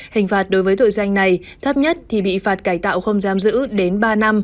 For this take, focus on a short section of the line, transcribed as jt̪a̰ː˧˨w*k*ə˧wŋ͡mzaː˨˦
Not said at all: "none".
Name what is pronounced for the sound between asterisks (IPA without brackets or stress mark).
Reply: x